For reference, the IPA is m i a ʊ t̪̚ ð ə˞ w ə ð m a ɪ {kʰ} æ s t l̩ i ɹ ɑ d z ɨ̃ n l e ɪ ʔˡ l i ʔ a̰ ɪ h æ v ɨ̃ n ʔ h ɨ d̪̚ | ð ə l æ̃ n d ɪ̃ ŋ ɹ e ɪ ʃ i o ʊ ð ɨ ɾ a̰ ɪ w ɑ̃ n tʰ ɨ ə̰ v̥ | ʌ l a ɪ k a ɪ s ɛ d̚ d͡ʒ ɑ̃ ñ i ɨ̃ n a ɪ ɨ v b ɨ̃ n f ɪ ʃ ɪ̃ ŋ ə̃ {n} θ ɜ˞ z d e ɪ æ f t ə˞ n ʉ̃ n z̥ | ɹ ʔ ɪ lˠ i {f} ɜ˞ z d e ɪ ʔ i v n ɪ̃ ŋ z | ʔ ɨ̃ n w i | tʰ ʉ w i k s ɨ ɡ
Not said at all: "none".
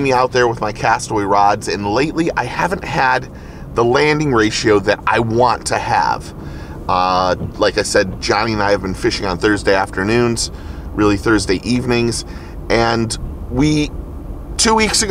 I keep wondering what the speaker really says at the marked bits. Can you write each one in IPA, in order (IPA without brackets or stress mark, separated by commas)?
kʰ, n, θ